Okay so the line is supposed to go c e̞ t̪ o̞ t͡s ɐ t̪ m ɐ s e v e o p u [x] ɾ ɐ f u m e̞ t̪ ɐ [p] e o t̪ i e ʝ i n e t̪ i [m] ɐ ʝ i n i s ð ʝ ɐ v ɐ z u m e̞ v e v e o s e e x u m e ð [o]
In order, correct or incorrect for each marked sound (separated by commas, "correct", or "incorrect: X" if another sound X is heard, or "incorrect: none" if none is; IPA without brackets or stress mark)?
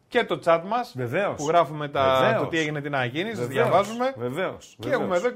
incorrect: ɣ, incorrect: none, incorrect: n, correct